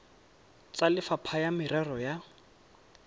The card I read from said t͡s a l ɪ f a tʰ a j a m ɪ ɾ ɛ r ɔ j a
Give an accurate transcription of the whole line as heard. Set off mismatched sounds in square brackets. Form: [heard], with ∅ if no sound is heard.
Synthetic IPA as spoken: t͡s a l ɪ f a [pʰ] a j a m ɪ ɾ ɛ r ɔ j a